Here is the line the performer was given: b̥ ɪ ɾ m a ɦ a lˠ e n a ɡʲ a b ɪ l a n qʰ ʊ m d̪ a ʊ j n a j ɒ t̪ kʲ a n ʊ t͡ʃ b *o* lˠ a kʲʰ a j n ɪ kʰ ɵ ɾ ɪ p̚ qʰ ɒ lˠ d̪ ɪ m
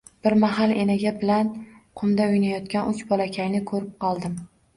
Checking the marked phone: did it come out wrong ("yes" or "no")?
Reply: yes